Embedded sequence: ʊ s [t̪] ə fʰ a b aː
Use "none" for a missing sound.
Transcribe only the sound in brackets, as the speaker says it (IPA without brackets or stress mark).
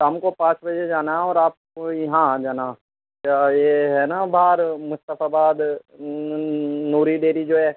t̪